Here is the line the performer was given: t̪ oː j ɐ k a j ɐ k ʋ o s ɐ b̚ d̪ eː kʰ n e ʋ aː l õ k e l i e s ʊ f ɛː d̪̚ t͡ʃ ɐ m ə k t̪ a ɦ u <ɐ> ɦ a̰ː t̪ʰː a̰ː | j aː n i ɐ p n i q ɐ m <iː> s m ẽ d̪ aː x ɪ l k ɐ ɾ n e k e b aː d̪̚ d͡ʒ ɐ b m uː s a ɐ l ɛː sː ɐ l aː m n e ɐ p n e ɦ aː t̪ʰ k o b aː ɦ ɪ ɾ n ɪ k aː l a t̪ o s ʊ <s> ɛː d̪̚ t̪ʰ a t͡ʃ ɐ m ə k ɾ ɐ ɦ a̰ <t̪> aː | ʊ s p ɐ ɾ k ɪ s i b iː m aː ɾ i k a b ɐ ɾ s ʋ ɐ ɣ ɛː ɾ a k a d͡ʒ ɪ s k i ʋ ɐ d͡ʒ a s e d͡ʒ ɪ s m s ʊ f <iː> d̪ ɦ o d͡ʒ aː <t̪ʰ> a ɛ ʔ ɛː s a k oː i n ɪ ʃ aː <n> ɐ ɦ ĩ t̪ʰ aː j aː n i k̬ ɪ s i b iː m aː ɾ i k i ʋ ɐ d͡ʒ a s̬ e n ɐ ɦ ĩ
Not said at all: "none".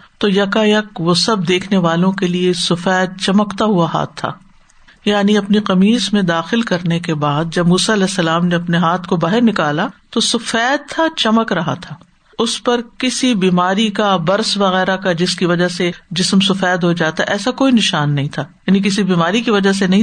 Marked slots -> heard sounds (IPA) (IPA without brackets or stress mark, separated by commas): a, iː, f, t̪ʰ, ɛː, t̪, nː